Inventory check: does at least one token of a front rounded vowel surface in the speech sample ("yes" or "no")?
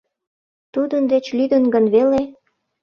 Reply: yes